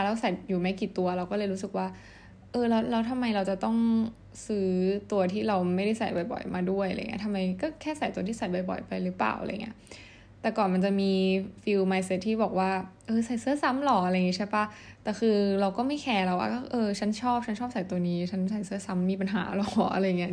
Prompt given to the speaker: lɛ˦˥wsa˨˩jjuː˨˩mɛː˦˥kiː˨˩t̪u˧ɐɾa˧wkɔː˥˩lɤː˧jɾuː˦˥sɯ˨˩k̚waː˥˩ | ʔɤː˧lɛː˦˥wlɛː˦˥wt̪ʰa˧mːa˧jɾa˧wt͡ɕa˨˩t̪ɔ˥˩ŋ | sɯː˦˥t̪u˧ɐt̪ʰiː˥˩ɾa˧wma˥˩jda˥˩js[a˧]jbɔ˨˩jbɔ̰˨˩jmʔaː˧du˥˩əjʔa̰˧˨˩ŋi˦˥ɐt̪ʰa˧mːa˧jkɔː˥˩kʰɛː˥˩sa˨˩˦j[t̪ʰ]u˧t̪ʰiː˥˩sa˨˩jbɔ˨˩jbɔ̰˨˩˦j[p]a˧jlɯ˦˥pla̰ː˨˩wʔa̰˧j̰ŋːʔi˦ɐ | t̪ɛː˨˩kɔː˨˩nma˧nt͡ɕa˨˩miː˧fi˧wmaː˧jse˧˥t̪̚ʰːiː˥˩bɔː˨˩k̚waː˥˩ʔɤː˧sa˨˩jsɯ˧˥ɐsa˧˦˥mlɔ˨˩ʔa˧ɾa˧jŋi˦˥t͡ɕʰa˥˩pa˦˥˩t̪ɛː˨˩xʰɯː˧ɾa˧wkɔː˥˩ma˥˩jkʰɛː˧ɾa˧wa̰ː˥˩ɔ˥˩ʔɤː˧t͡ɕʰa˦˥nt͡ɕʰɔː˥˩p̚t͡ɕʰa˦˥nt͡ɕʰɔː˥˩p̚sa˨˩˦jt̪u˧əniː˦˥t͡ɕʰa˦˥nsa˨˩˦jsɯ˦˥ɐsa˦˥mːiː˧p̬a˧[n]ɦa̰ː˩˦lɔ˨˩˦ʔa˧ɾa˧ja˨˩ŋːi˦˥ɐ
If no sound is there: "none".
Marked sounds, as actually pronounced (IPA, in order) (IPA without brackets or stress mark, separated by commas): a˨˩, t̪, p, n